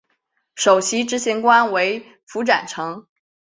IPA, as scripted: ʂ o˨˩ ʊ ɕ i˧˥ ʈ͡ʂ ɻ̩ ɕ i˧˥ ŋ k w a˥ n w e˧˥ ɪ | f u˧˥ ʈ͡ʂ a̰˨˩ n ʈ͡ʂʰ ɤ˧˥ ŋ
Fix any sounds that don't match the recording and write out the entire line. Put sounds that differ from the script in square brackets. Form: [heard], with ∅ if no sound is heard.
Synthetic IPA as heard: ʂ o˨˩ ʊ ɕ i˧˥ ʈ͡ʂ ɻ̩ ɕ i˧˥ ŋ k w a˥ n w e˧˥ ɪ | f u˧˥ ʈ͡ʂ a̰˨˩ n ʈ͡ʂʰ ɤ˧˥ ŋ

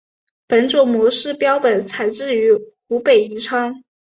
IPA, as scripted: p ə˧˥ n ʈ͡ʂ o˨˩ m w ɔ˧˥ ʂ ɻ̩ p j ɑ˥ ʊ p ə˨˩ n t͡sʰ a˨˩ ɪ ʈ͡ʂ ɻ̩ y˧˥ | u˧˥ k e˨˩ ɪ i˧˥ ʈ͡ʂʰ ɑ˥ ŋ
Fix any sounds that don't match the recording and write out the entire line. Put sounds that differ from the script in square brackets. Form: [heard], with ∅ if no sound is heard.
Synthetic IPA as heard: p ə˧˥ n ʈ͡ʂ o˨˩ m w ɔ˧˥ ʂ ɻ̩ p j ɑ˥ ʊ p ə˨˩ n t͡sʰ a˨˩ ɪ ʈ͡ʂ ɻ̩ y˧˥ | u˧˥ [p] e˨˩ ɪ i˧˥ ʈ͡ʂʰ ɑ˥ ŋ

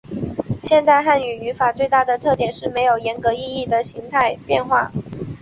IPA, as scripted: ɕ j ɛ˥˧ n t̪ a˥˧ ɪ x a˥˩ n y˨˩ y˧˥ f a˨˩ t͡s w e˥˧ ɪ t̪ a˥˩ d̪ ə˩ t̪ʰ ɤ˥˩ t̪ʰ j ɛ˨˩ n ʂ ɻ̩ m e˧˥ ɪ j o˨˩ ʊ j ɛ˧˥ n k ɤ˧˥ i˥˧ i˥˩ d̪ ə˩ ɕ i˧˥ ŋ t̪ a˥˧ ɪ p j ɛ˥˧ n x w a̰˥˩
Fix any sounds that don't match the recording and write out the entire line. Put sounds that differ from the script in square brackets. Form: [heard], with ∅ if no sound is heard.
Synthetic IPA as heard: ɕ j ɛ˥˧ n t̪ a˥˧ ɪ x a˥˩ n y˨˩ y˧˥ f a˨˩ t͡s w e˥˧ ɪ t̪ a˥˩ d̪ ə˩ t̪ʰ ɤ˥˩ [t̪] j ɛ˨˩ n ʂ ɻ̩ m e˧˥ ɪ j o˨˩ ʊ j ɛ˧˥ n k ɤ˧˥ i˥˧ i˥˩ d̪ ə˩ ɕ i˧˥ ŋ [t̪ʰ] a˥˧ ɪ p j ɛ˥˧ n x w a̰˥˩

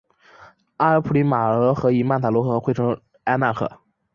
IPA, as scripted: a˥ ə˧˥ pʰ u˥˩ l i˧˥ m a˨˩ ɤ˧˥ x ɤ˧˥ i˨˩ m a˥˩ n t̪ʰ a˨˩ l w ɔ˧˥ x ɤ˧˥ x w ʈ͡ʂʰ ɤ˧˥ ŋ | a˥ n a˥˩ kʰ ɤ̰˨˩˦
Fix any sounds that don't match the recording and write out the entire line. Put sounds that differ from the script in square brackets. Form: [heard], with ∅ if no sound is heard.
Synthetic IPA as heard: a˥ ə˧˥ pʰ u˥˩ l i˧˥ m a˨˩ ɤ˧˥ x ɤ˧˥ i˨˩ m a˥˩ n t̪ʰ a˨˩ l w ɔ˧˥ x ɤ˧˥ x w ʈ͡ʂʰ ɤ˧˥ ŋ | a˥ n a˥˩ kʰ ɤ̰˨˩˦

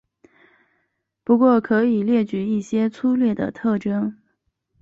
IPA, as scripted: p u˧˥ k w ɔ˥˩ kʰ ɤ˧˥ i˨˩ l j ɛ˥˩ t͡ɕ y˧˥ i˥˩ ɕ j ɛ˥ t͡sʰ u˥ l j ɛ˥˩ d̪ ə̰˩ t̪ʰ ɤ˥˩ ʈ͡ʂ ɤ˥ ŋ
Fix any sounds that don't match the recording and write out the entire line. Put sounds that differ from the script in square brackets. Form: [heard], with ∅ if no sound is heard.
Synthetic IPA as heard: p u˧˥ k w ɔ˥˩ kʰ ɤ˧˥ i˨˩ l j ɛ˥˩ t͡ɕ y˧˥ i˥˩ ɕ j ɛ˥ t͡sʰ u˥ l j ɛ˥˩ d̪ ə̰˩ t̪ʰ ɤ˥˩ ʈ͡ʂ ɤ˥ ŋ

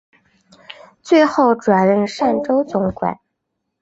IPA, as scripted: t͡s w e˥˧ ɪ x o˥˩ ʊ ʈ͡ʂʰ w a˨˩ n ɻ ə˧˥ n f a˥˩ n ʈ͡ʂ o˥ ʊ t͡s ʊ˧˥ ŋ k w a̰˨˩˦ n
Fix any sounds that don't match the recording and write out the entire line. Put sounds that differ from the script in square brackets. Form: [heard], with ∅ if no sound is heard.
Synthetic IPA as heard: t͡s w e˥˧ ɪ x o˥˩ ʊ [ʈ͡ʂ] w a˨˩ n ɻ [ə˥˧] n [ʂ] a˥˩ n ʈ͡ʂ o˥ ʊ t͡s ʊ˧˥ ŋ k w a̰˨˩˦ n

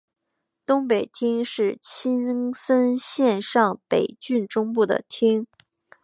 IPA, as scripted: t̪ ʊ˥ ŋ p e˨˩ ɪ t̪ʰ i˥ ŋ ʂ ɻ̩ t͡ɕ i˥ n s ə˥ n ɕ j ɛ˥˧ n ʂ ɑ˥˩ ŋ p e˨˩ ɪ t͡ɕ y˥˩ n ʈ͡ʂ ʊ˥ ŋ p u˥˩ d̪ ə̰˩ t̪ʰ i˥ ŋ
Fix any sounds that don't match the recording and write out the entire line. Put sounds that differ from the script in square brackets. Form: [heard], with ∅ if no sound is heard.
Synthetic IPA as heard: t̪ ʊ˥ ŋ p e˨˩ ɪ t̪ʰ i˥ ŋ ʂ ɻ̩ [t͡ɕʰ] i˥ n s ə˥ n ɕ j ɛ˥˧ n ʂ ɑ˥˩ ŋ p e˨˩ ɪ t͡ɕ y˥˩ n ʈ͡ʂ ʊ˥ ŋ p u˥˩ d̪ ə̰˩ t̪ʰ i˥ ŋ

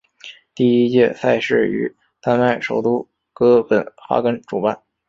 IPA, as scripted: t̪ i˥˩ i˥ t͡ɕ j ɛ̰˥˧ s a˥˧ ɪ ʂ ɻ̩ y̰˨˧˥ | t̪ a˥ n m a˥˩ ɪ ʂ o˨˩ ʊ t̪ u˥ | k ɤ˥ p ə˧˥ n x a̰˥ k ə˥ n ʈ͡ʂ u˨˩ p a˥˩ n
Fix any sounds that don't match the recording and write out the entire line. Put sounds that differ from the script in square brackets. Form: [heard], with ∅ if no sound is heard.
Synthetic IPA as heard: t̪ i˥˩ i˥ t͡ɕ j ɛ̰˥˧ s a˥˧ ɪ ʂ ɻ̩ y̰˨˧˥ | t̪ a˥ n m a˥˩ ɪ ʂ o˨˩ ʊ t̪ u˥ | k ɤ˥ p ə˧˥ n x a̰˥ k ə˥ n ʈ͡ʂ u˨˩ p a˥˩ n

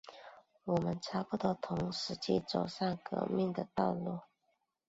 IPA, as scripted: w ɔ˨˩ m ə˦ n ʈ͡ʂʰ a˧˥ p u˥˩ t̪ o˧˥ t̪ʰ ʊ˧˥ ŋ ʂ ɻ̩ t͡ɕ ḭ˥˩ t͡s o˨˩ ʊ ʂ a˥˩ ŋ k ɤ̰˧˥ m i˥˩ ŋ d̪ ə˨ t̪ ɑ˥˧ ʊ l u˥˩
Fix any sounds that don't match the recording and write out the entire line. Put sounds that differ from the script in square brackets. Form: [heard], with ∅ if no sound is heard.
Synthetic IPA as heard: w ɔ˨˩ m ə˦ n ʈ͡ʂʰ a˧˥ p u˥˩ t̪ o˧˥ t̪ʰ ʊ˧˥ ŋ ʂ ɻ̩ t͡ɕ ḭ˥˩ t͡s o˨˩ ʊ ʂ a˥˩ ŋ k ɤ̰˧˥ m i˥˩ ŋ d̪ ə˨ t̪ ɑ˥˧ ʊ l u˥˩

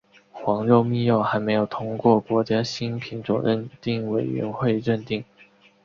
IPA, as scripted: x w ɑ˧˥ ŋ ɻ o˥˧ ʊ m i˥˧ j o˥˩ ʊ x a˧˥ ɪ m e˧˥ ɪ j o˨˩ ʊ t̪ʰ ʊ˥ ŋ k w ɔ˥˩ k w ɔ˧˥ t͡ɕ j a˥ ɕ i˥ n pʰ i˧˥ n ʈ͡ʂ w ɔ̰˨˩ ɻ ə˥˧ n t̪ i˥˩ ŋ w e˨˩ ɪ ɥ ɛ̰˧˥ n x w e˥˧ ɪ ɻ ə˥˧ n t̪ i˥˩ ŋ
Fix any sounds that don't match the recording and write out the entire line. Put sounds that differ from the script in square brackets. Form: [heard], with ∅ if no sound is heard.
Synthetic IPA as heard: x w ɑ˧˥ ŋ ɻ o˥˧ ʊ m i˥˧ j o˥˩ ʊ x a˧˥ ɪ m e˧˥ ɪ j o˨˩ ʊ t̪ʰ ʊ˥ ŋ k w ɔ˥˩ k w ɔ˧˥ t͡ɕ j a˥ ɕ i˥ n pʰ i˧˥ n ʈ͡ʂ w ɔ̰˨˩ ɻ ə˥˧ n t̪ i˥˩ ŋ w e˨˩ ɪ ɥ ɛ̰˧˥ n x w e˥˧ ɪ ɻ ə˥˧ n t̪ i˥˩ ŋ

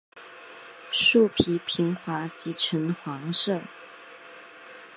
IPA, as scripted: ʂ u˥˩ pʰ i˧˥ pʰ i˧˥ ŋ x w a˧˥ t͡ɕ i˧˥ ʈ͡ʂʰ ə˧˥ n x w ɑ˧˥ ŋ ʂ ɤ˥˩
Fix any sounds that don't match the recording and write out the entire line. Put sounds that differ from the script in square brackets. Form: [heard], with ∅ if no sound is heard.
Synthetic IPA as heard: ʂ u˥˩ pʰ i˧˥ pʰ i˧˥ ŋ x w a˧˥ t͡ɕ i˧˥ ʈ͡ʂʰ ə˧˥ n x w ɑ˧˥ ŋ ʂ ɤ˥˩

